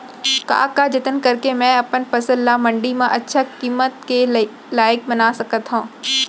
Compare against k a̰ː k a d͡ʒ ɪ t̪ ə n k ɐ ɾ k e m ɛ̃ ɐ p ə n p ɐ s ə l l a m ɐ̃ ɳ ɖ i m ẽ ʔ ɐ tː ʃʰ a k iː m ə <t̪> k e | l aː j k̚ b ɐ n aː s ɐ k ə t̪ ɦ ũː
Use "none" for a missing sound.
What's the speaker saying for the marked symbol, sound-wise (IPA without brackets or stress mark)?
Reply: t̪